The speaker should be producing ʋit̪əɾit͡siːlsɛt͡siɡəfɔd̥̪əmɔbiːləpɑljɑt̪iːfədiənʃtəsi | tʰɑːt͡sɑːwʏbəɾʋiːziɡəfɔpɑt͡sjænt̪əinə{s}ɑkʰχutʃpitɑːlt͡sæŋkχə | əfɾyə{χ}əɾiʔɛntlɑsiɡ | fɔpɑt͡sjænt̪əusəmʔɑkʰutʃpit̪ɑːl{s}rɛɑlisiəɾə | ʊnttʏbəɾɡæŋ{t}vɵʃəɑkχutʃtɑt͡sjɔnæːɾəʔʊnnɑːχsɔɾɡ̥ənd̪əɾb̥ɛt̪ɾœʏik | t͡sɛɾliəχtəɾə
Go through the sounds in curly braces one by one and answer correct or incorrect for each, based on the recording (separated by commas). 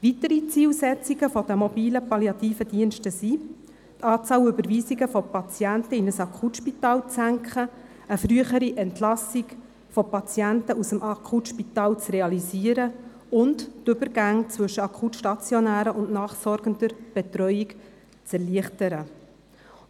correct, correct, incorrect, incorrect